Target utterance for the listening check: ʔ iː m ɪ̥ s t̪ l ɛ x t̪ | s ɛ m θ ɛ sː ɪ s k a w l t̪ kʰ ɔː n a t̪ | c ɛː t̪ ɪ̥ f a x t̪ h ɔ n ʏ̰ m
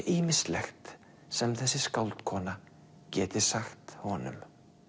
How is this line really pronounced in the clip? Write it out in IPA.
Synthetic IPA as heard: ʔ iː m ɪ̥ s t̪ l ɛ x t̪ | s ɛ m θ ɛ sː ɪ s k a w l t̪ kʰ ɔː n a | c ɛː t̪ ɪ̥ s a x t̪ h ɔ n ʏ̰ m